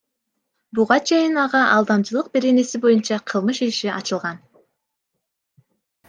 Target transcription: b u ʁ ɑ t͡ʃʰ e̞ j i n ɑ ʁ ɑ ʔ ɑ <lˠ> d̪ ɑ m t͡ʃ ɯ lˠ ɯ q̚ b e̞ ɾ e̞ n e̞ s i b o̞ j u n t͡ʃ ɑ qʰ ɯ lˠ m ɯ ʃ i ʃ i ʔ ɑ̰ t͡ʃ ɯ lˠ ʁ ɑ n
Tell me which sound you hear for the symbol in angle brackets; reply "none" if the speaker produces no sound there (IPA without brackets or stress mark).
lˠ